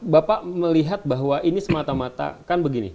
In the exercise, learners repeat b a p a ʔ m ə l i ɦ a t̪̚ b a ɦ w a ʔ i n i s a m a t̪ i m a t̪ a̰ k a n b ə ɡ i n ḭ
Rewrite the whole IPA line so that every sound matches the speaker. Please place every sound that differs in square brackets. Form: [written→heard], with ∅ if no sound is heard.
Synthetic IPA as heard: b a p a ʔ m ə l i ɦ a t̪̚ b a ɦ w a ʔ i n i s [a→ə] m a t̪ [i→a] m a t̪ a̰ k a n b ə ɡ i n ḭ